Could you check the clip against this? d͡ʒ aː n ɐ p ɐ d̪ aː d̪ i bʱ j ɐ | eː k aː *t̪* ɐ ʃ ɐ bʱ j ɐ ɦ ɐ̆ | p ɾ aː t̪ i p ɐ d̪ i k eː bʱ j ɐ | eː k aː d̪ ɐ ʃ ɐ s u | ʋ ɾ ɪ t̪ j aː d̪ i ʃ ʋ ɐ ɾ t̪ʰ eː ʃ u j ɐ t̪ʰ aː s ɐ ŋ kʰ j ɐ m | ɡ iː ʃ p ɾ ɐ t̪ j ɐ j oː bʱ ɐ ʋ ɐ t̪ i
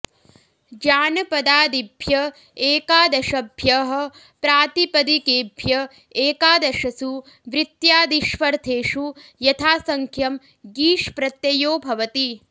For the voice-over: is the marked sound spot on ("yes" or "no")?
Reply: no